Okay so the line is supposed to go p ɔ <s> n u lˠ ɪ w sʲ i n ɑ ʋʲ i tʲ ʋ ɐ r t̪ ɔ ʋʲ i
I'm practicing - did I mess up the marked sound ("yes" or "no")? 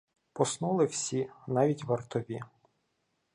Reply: no